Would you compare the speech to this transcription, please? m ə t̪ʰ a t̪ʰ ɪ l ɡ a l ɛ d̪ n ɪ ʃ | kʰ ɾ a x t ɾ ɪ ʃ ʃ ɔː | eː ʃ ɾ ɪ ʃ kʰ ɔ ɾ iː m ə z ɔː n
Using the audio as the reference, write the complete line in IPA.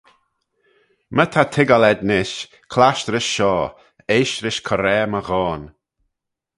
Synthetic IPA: m ə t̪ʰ a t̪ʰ ɪ ɡ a l ɛ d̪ n ɪ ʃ | kʰ l a ʃ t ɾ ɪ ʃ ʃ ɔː | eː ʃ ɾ ɪ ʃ kʰ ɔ ɾ ɛː m ə ɣ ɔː n